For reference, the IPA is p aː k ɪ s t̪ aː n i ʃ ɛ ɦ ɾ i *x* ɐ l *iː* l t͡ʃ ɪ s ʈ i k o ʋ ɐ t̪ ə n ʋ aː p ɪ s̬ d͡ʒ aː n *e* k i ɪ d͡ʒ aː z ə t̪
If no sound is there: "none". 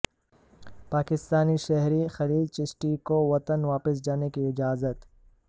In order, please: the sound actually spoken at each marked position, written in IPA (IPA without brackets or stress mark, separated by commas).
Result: x, iː, e